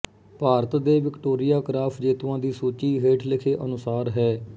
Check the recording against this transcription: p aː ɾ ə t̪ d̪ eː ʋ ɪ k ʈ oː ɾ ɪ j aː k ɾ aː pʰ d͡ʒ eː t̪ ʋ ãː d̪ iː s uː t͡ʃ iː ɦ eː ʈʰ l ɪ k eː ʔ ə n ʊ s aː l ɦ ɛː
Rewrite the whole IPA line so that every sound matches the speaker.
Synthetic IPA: p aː ɾ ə t̪ d̪ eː ʋ ɪ k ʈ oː ɾ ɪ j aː k ɾ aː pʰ d͡ʒ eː t̪ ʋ ãː d̪ iː s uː t͡ʃ iː ɦ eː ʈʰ l ɪ kʰ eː ʔ ə n ʊ s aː ɾ ɦ ɛː